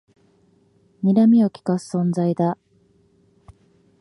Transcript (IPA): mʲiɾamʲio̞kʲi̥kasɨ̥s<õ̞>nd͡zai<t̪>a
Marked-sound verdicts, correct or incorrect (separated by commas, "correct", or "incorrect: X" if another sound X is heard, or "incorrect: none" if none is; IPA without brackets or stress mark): correct, incorrect: d̪